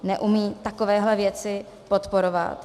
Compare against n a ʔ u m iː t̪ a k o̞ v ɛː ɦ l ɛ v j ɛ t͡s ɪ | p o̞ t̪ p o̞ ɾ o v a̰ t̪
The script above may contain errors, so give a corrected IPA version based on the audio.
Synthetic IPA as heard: n ɛ ʔ u m iː t̪ a k o̞ v ɛː ɦ l ɛ v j ɛ t͡s ɪ | p o̞ t̪ p o̞ ɾ o v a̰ t̪